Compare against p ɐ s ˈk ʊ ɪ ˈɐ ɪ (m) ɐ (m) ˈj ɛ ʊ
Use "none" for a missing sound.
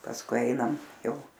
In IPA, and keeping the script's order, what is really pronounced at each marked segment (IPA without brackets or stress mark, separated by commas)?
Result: n, m